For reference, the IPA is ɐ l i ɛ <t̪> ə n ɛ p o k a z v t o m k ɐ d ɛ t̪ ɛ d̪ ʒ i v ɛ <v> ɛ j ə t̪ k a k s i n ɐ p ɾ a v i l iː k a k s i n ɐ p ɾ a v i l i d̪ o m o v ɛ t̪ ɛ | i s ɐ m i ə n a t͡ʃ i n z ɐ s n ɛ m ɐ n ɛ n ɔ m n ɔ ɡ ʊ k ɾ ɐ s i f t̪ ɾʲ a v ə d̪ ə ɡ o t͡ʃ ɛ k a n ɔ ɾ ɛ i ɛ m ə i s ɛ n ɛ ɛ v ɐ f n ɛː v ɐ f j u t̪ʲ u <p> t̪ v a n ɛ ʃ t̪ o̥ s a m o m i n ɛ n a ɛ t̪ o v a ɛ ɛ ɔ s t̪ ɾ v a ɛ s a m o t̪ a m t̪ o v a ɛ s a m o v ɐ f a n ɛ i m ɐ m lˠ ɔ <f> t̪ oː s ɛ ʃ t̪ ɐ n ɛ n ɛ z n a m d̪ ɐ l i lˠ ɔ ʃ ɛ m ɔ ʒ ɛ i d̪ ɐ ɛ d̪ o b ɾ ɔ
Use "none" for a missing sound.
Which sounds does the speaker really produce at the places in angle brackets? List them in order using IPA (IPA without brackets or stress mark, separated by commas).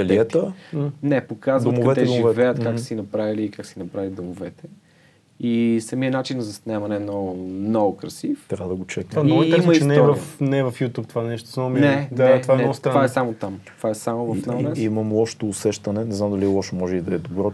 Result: t̪, v, p, ʃ